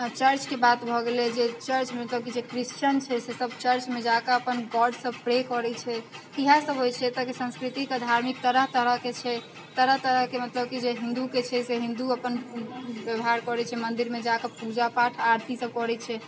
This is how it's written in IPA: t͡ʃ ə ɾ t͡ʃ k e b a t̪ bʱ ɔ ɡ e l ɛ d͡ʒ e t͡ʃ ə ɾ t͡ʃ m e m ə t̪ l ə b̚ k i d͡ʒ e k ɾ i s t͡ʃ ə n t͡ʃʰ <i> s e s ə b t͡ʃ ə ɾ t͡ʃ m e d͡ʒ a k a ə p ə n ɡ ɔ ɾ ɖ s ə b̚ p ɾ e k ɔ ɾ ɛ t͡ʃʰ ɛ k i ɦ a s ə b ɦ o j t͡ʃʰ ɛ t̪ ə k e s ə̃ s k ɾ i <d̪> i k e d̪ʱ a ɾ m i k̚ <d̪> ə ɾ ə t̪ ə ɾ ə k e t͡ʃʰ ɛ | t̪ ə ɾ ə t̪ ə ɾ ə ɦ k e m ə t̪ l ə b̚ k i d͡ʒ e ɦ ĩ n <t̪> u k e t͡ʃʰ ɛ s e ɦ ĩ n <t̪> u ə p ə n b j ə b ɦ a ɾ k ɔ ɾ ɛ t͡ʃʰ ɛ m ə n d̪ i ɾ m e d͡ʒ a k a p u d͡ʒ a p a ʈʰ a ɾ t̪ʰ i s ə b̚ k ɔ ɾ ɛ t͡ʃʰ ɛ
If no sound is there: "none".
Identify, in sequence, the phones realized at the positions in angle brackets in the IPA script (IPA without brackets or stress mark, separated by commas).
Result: ɛ, t̪, t̪, d̪, d̪